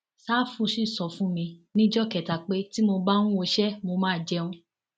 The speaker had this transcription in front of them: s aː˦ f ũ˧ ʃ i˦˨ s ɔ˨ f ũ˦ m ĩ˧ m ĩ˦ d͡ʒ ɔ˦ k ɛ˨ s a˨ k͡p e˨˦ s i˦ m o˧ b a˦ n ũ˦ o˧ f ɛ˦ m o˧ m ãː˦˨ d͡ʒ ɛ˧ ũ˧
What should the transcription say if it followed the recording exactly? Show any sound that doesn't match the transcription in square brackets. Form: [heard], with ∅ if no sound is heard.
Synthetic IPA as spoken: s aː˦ f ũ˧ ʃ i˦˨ s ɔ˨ f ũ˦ m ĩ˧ [n] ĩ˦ d͡ʒ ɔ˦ k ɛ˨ [t] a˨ k͡p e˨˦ [t] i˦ m o˧ b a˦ n ũ˦ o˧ [ʃ] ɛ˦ m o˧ m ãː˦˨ d͡ʒ ɛ˧ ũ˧

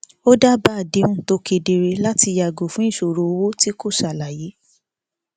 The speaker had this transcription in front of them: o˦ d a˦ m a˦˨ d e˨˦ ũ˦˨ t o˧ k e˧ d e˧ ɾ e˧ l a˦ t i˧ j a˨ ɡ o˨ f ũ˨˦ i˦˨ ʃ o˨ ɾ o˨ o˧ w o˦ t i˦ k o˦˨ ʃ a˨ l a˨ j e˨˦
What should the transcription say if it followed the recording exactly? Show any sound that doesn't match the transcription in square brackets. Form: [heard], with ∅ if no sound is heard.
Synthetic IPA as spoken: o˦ d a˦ [b] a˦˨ d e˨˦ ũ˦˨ t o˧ k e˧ d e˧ ɾ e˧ l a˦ t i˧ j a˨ ɡ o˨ f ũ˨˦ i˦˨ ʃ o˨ ɾ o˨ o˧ w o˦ t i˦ k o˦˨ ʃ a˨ l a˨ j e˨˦

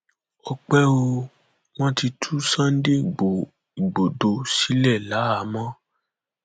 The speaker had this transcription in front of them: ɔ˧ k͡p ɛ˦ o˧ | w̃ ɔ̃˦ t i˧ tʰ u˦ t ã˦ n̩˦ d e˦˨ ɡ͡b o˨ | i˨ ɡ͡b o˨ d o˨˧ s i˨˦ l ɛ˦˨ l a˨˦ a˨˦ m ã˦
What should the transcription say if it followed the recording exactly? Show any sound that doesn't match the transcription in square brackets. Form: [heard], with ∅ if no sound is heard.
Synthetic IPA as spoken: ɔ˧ k͡p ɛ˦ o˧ | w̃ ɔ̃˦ t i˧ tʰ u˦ [s] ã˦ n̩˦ d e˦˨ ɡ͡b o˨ | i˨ ɡ͡b o˨ d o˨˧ s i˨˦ l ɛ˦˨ l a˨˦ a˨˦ m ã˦

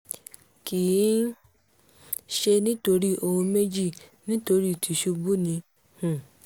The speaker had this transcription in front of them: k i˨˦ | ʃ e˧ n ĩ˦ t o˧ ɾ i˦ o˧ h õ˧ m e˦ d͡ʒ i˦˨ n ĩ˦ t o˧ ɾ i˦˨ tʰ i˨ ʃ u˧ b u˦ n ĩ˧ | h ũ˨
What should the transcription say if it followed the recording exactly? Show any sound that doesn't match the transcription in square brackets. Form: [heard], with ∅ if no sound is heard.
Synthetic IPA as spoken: k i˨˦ | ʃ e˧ n ĩ˦ t o˧ ɾ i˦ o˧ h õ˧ m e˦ d͡ʒ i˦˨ n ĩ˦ t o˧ ɾ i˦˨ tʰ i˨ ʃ u˧ b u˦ n ĩ˧ | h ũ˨

